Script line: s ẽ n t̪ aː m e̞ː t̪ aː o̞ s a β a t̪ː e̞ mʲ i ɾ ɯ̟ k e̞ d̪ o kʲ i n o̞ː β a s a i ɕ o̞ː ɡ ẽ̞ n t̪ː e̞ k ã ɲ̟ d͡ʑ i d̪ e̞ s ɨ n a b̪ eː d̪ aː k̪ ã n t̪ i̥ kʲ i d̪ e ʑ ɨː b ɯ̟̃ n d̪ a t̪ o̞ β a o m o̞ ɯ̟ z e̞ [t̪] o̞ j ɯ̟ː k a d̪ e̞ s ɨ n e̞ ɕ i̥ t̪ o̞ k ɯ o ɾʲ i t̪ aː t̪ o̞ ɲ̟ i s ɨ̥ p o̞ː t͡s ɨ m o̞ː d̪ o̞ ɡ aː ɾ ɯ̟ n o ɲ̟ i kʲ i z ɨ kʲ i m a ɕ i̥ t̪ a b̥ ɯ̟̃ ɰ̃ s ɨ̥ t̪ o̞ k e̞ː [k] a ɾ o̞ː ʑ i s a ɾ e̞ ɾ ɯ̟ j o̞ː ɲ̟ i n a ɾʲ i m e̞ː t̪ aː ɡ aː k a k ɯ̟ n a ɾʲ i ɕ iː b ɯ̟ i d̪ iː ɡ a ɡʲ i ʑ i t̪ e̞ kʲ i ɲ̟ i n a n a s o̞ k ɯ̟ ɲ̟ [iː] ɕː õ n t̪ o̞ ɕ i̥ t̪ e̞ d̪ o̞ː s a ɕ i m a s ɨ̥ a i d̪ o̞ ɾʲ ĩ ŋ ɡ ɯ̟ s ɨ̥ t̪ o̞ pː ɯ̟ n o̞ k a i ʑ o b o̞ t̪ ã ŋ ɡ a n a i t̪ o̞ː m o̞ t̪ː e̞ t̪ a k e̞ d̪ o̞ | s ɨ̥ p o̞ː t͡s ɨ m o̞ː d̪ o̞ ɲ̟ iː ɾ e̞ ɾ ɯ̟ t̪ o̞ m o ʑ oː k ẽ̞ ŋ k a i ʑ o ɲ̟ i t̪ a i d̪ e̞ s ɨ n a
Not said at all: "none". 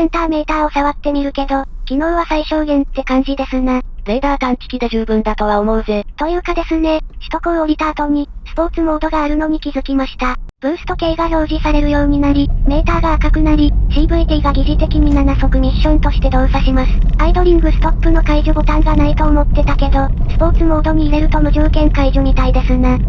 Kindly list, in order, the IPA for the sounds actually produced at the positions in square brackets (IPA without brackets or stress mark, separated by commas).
t̪, ɡ, i